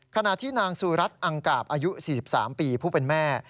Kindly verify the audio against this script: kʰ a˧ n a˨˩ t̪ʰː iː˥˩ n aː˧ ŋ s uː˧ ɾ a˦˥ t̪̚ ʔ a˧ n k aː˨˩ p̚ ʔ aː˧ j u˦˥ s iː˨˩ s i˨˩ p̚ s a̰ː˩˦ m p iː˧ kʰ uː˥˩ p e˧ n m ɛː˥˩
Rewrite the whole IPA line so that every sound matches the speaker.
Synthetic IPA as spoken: kʰ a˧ n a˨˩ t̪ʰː iː˥˩ n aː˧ ŋ s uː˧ ɾ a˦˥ t̪̚ ʔ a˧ ŋ k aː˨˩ p̚ ʔ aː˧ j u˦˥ s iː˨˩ s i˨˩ p̚ s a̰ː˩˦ m p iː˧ pʰ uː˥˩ p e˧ n m ɛː˥˩